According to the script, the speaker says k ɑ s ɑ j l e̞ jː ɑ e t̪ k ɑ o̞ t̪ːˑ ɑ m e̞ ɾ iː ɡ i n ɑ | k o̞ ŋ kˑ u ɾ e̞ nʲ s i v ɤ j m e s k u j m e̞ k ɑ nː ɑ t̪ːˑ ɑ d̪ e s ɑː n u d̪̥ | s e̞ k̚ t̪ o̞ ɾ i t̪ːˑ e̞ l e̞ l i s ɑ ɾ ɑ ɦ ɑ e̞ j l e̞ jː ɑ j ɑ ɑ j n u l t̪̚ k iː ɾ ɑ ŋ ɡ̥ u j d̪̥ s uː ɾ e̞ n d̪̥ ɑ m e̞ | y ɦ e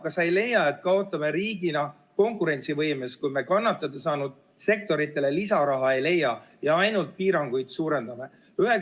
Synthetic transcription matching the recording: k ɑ s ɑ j l e̞ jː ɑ e t̪ k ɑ o̞ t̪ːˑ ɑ m e̞ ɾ iː ɡ i n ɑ | k o̞ ŋ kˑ u ɾ e̞ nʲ s i v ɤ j m e s k u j m e̞ k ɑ nː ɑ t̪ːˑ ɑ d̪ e s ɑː n u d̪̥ | s e̞ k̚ t̪ o̞ ɾ i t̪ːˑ e̞ l e̞ l i s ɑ ɾ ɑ ɦ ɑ e̞ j l e̞ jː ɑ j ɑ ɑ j n u l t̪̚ p iː ɾ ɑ ŋ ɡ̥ u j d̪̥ s uː ɾ e̞ n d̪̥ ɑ m e̞ | y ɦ e